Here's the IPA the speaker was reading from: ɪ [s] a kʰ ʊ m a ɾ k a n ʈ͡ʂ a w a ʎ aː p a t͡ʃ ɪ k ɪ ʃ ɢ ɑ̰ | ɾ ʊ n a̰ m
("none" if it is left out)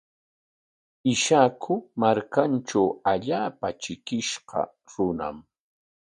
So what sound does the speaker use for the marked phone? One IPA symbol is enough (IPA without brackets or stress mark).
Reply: ʃ